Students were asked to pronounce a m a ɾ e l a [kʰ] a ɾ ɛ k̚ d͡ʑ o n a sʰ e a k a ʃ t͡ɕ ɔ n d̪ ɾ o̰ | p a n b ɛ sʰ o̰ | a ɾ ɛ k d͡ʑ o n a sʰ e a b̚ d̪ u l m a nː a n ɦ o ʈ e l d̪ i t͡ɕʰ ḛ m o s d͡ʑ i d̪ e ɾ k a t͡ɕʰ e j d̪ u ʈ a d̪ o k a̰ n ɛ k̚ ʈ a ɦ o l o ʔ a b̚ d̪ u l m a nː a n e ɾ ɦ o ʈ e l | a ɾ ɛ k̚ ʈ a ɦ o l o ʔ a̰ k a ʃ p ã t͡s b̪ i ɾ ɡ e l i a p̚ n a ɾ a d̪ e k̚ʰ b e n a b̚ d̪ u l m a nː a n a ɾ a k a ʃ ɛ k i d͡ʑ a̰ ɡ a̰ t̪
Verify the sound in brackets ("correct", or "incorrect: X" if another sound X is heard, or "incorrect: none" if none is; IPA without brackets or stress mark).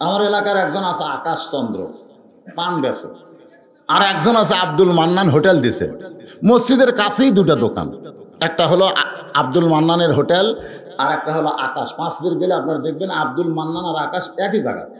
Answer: incorrect: k